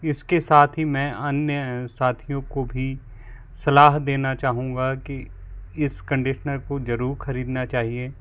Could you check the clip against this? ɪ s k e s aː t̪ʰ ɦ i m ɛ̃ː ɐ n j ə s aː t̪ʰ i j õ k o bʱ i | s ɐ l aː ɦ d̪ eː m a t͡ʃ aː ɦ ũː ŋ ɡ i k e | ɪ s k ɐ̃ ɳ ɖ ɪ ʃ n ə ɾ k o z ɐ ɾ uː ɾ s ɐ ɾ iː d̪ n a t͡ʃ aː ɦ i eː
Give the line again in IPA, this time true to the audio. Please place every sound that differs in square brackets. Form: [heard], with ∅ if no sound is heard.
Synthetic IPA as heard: ɪ s k e s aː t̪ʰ ɦ i m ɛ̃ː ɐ n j ə s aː t̪ʰ i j õ k o bʱ i | s ɐ l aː ɦ d̪ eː [n] a t͡ʃ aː ɦ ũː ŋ ɡ [a] k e | ɪ s k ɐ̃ ɳ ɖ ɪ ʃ n ə ɾ k o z ɐ ɾ uː ɾ [x] ɐ ɾ iː d̪ n a t͡ʃ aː ɦ i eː

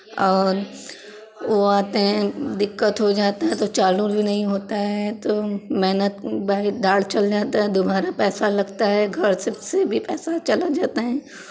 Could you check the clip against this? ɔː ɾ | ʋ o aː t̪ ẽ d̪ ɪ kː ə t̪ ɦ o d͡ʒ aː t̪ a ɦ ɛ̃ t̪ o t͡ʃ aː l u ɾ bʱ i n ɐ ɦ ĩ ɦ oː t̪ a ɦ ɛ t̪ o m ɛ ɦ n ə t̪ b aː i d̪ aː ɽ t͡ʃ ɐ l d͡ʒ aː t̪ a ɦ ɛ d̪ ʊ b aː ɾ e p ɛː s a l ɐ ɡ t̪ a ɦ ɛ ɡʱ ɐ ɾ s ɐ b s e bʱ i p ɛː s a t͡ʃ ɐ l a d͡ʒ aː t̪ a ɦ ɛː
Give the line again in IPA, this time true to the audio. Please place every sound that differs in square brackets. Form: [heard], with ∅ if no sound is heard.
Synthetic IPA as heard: ɔː ɾ | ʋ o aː t̪ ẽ d̪ ɪ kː ə t̪ ɦ o d͡ʒ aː t̪ a ɦ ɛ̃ t̪ o t͡ʃ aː l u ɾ bʱ i n ɐ ɦ ĩ ɦ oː t̪ a ɦ ɛ t̪ o m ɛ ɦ n ə t̪ b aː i d̪ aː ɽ t͡ʃ ɐ l d͡ʒ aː t̪ a ɦ ɛ d̪ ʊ b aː ɾ [a] p ɛː s a l ɐ ɡ t̪ a ɦ ɛ ɡʱ ɐ ɾ s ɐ b s e bʱ i p ɛː s a t͡ʃ ɐ l a d͡ʒ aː t̪ a ɦ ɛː

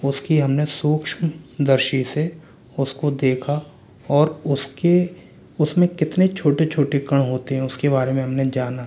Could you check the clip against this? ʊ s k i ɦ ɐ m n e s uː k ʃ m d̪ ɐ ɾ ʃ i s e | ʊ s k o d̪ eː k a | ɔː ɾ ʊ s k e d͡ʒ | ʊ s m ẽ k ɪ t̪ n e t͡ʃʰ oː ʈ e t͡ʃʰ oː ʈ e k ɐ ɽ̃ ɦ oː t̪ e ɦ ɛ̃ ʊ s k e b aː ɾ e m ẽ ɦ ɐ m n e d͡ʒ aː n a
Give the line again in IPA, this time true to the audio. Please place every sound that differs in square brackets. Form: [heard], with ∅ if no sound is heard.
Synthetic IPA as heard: ʊ s k i ɦ ɐ m n e s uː k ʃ m d̪ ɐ ɾ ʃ i s e | ʊ s k o d̪ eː [kʰ] a | ɔː ɾ ʊ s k e [∅] | ʊ s m ẽ k ɪ t̪ n e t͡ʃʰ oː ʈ e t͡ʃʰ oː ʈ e k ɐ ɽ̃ ɦ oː t̪ e ɦ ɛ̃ ʊ s k e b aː ɾ e m ẽ ɦ ɐ m n e d͡ʒ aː n a

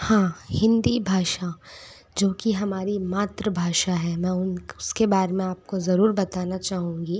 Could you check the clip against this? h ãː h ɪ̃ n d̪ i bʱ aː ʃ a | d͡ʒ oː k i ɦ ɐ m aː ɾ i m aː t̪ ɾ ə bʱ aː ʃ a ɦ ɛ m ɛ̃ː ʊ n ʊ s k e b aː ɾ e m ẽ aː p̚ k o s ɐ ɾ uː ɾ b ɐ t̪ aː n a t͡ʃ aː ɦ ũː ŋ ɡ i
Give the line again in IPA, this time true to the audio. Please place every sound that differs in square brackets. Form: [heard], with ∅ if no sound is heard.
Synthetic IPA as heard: h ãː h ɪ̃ n d̪ i bʱ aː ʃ a | d͡ʒ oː k i ɦ ɐ m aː ɾ i m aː t̪ ɾ ə bʱ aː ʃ a ɦ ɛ m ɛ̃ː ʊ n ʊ s k e b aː ɾ e m ẽ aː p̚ k o [z] ɐ ɾ uː ɾ b ɐ t̪ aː n a t͡ʃ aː ɦ ũː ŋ ɡ i

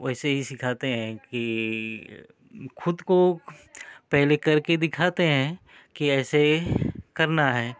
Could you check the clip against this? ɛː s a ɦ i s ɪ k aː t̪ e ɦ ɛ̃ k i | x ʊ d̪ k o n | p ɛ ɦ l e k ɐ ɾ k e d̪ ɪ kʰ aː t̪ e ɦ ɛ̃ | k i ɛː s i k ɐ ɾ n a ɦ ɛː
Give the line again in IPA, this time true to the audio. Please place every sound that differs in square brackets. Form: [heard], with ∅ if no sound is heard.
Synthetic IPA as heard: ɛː s [e] ɦ i s ɪ [kʰ] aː t̪ e ɦ ɛ̃ k i | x ʊ d̪ k o [∅] | p ɛ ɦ l e k ɐ ɾ k e d̪ ɪ kʰ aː t̪ e ɦ ɛ̃ | k i ɛː s [e] k ɐ ɾ n a ɦ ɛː

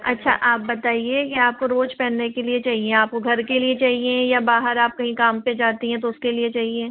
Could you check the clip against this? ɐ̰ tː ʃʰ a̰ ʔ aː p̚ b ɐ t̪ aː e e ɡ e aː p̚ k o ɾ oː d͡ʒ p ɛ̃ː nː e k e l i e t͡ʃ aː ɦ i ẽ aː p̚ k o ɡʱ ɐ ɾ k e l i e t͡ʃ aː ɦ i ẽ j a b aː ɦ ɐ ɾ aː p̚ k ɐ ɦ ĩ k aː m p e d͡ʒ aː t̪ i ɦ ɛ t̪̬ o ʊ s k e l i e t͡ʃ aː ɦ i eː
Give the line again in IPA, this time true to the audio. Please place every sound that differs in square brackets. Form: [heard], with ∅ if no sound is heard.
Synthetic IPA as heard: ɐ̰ tː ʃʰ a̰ ʔ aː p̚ b ɐ t̪ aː [i] e [k] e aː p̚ k o ɾ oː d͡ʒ p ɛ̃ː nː e k e l i e t͡ʃ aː ɦ i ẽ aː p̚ k o ɡʱ ɐ ɾ k e l i e t͡ʃ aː ɦ i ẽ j a b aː ɦ [ə] ɾ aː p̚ k ɐ ɦ ĩ k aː m p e d͡ʒ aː t̪ i ɦ [ɛ̃] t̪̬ o ʊ s k e l i e t͡ʃ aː ɦ i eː

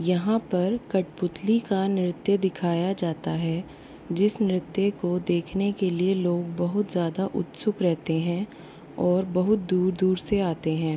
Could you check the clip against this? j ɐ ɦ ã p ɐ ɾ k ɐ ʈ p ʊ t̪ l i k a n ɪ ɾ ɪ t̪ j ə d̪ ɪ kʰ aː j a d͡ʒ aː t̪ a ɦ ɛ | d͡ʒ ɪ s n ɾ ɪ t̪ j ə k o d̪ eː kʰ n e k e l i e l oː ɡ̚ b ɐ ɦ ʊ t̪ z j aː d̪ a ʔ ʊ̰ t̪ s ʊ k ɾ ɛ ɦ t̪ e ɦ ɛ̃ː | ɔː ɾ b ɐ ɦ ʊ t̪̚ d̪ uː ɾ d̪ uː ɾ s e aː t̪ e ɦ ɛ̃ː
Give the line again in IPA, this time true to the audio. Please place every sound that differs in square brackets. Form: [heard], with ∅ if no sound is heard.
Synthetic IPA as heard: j ɐ ɦ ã p ɐ ɾ k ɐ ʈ p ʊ t̪ l i k a n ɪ ɾ ɪ t̪ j ə d̪ ɪ kʰ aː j a d͡ʒ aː t̪ a ɦ ɛ | d͡ʒ ɪ s n ɾ ɪ t̪ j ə k o d̪ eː kʰ n e k e l i e l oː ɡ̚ b ɐ ɦ ʊ t̪ z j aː d̪ a ʔ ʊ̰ t̪ s ʊ k ɾ ɛ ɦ t̪ e ɦ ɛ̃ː | ɔː ɾ b ɐ ɦ ʊ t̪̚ d̪ uː ɾ d̪ uː ɾ s e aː t̪ e ɦ ɛ̃ː

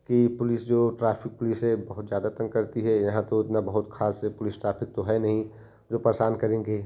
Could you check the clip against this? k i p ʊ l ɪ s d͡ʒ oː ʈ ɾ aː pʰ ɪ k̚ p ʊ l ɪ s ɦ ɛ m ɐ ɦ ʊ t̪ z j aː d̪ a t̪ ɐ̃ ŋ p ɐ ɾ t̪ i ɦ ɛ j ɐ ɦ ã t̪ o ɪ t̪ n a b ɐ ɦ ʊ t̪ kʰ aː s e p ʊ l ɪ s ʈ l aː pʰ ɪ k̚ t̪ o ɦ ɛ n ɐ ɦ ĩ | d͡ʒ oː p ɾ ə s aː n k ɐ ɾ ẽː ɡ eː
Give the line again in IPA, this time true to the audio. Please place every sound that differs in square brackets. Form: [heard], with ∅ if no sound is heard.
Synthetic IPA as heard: k i p ʊ l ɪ s d͡ʒ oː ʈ ɾ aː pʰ ɪ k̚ p ʊ l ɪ s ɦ ɛ [b] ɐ ɦ ʊ t̪ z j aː d̪ a t̪ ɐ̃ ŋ [k] ɐ ɾ t̪ i ɦ ɛ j ɐ ɦ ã t̪ o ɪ t̪ n a b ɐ ɦ ʊ t̪ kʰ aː s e p ʊ l ɪ s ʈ [ɾ] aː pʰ ɪ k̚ t̪ o ɦ ɛ n ɐ ɦ ĩ | d͡ʒ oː p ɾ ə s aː n k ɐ ɾ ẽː ɡ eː

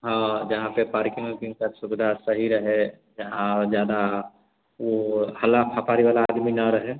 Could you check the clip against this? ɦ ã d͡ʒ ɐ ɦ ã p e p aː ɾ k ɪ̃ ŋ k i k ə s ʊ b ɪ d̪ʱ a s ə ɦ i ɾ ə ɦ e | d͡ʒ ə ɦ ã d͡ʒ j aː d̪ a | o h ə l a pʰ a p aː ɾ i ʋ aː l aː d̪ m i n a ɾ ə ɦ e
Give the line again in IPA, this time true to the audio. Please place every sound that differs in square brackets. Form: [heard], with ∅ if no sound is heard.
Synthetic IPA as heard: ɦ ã d͡ʒ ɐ ɦ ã p e p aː ɾ k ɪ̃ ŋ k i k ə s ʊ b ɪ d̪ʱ a s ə ɦ i ɾ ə ɦ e | d͡ʒ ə ɦ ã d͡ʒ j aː d̪ a | o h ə l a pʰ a p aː ɾ i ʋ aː l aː d̪ m i n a ɾ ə ɦ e

